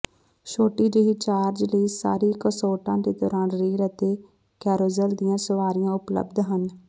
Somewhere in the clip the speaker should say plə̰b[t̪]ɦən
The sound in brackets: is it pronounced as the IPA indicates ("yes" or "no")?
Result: no